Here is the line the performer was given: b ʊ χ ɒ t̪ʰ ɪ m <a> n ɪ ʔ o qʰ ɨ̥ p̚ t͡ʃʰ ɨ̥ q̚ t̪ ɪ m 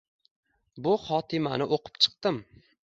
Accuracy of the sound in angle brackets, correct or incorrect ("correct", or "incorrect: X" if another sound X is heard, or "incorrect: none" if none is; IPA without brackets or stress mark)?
correct